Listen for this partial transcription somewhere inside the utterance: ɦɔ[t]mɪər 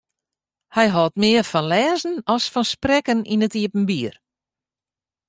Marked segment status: correct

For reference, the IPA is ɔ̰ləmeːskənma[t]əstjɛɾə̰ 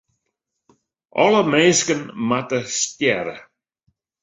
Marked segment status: correct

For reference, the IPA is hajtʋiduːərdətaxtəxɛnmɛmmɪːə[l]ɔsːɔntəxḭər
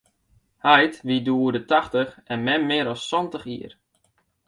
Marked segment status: incorrect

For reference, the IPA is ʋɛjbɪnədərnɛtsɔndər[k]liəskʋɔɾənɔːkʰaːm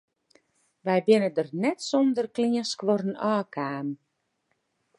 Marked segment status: correct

